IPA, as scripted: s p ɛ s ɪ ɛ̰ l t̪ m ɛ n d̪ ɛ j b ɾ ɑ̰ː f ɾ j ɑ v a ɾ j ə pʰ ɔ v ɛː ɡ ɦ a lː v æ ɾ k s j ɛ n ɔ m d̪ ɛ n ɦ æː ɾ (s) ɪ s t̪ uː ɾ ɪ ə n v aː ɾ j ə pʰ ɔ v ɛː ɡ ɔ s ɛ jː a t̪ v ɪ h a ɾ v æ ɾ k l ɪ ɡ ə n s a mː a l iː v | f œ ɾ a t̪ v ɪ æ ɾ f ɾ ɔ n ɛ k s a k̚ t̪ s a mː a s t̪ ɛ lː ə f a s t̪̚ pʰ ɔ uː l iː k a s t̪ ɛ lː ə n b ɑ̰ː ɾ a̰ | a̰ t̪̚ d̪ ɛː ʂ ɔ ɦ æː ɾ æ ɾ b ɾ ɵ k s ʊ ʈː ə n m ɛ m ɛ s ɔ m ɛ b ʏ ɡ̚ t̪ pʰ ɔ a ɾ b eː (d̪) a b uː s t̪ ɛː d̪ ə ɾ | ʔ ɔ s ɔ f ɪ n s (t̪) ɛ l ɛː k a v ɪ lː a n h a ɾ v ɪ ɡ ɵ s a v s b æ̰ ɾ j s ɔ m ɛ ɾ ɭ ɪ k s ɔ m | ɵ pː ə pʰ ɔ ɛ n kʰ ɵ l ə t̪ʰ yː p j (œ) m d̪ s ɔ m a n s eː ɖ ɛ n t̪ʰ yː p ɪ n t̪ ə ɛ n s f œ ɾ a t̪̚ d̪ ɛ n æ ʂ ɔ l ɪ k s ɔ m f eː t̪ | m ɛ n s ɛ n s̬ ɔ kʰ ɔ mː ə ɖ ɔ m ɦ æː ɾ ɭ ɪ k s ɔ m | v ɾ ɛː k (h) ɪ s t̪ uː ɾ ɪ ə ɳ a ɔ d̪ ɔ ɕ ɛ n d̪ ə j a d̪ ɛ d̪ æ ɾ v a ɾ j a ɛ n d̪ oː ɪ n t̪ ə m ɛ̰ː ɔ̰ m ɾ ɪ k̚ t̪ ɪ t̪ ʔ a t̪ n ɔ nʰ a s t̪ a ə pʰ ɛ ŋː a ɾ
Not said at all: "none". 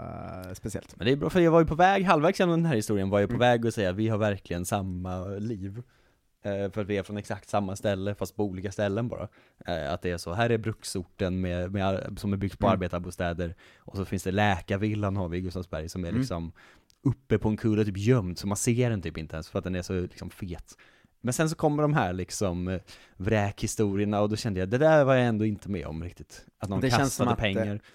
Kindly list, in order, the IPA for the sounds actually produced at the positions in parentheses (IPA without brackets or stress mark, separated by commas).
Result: h, t̪, d̪, œ, h